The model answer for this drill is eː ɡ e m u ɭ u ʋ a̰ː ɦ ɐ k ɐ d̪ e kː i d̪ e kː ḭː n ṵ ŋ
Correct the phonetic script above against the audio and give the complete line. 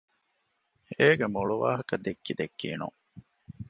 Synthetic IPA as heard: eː ɡ e m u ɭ u ʋ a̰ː ɦ ɐ k ɐ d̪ e kː i d̪ e kː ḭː n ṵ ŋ